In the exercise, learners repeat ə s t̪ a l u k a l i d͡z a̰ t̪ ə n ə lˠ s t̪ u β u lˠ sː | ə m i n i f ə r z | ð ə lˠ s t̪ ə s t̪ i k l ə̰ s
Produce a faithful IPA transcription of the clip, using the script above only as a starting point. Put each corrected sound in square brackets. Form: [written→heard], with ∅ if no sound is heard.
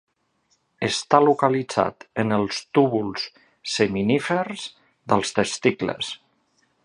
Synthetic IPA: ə s t̪ a l u k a l i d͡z a̰ t̪ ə n ə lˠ s t̪ u β u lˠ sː | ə m i n i f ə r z | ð ə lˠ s t̪ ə s t̪ i k l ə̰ s